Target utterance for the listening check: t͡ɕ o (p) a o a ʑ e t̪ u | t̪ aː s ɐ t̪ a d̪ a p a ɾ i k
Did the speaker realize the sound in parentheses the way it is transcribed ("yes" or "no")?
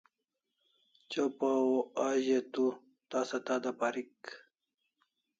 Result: yes